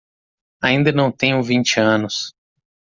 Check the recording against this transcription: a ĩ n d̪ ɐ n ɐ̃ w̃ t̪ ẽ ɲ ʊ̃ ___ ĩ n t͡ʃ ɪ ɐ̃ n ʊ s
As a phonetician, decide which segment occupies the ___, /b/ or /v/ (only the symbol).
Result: v